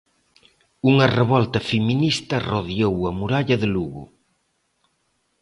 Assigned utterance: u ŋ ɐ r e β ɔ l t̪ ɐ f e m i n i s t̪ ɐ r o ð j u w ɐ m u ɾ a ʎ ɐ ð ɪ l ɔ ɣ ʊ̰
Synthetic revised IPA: u ŋ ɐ r e β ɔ l t̪ ɐ f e m i n i s t̪ ɐ r o ð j o w ɐ m u ɾ a ʎ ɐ ð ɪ l u ɣ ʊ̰